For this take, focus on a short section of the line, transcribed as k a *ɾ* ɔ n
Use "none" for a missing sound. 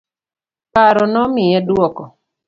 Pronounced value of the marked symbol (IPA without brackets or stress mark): ɾ